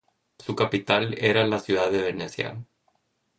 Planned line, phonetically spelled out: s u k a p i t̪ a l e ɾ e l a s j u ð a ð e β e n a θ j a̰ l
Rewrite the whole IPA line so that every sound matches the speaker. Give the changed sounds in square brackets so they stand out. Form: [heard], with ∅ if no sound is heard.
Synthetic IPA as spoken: s u k a p i t̪ a l e ɾ [a] l a s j u ð a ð e β e n [e] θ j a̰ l